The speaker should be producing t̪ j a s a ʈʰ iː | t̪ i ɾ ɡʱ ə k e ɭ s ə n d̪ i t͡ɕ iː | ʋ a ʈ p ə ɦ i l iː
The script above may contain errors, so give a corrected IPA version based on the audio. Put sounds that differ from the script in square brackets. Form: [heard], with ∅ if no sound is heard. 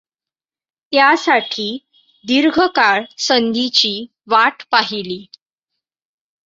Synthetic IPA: t̪ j a s a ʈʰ iː | [d̪] i ɾ ɡʱ ə k [a] ɭ s ə n d̪ i t͡ɕ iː | ʋ a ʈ p [a] ɦ i l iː